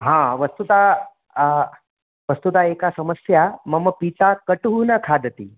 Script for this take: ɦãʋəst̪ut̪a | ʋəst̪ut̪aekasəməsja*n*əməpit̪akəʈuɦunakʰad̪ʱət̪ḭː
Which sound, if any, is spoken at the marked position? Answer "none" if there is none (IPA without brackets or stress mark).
m